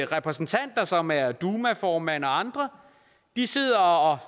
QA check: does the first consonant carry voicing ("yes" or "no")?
yes